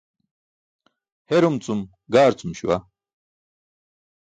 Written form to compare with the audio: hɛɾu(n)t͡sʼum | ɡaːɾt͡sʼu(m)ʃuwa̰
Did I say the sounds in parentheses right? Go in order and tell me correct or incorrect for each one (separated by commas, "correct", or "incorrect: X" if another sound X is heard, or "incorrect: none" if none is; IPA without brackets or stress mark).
incorrect: m, correct